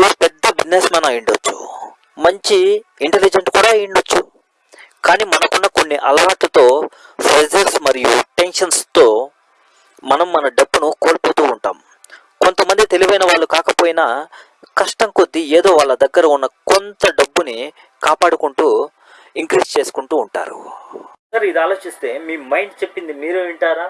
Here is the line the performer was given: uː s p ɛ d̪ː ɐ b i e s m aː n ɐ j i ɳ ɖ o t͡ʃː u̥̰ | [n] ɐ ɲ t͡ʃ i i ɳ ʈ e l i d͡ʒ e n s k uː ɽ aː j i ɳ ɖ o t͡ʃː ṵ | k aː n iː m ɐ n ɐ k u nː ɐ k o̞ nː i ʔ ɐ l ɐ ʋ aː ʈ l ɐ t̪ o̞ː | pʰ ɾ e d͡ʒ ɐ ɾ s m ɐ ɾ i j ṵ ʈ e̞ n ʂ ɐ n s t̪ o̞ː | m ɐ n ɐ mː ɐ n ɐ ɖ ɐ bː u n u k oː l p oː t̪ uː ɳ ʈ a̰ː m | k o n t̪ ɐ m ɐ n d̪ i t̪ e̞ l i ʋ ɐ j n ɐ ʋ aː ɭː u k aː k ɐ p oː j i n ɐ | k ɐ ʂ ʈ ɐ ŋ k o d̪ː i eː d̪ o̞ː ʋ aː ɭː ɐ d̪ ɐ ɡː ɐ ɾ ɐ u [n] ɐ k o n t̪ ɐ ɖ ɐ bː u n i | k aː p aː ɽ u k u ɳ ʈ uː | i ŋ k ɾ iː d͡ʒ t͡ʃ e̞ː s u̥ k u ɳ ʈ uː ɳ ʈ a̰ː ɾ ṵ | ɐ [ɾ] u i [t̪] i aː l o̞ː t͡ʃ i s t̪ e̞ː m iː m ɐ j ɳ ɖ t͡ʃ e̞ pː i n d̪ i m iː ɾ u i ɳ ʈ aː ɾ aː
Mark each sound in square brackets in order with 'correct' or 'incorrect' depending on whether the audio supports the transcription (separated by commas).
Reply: incorrect, incorrect, correct, incorrect